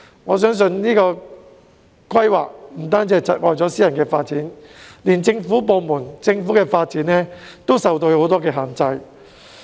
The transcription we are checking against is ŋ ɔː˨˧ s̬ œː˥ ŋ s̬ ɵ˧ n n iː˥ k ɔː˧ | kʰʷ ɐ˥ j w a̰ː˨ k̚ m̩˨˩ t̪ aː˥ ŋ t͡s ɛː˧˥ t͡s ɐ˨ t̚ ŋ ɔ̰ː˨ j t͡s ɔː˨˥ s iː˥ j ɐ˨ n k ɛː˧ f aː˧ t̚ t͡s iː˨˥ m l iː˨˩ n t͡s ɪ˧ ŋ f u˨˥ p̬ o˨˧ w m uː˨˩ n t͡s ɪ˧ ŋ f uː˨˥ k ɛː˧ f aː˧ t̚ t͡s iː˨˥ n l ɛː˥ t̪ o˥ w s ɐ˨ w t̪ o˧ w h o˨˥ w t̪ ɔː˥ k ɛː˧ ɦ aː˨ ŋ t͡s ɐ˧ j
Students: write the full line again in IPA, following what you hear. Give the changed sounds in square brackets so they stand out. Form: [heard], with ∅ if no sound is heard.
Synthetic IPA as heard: ŋ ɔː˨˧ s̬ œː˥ ŋ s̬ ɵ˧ n n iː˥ k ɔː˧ | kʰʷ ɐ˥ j w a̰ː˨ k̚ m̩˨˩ t̪ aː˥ [n] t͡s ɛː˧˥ t͡s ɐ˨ t̚ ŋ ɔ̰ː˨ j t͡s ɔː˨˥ s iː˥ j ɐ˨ n k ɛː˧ f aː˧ t̚ t͡s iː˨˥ [n] l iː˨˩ n t͡s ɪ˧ ŋ f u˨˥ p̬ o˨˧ w m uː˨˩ n t͡s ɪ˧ ŋ f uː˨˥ k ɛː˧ f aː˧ t̚ t͡s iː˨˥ n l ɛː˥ t̪ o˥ w s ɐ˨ w t̪ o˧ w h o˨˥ w t̪ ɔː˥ k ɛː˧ ɦ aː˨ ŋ t͡s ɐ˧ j